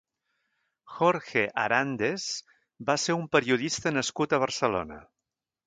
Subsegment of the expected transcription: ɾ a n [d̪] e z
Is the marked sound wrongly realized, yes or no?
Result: no